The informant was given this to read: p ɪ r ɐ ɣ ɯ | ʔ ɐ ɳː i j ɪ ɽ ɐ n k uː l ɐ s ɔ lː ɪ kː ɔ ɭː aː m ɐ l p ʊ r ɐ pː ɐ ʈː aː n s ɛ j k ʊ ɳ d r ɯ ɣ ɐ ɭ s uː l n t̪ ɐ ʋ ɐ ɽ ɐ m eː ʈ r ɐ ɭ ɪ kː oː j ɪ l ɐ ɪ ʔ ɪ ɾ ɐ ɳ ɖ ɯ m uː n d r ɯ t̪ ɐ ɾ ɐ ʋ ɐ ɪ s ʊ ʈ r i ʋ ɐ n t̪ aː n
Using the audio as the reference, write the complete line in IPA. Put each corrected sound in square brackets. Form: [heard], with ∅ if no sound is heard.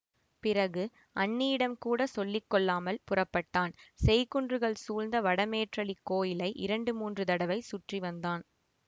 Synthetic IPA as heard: p ɪ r ɐ ɣ ɯ | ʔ ɐ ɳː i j ɪ ɽ ɐ [m] k uː [ɽ] ɐ s ɔ lː ɪ kː ɔ ɭː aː m ɐ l p ʊ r ɐ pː ɐ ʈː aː n s ɛ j k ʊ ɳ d r ɯ ɣ ɐ ɭ s uː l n [d̪] ɐ ʋ ɐ ɽ ɐ m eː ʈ r ɐ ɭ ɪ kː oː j ɪ l ɐ ɪ ʔ ɪ ɾ ɐ ɳ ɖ ɯ m uː n d r ɯ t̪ ɐ [ɽ] ɐ ʋ ɐ ɪ s ʊ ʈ r i ʋ ɐ n [d̪] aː n